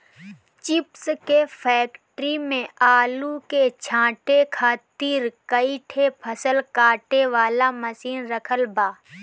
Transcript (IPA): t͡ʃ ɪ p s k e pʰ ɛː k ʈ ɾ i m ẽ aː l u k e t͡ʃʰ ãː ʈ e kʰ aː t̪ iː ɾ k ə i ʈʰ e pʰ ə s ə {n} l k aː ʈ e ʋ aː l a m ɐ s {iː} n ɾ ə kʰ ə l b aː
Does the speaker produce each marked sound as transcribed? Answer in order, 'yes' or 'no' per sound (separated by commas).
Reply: no, yes